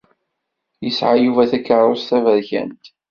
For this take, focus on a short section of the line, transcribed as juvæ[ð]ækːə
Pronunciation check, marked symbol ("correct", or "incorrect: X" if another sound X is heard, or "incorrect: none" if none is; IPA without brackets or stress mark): incorrect: θ